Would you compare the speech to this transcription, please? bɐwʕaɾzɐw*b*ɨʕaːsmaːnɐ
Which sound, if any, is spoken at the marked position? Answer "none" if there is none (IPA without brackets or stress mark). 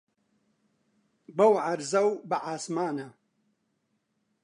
b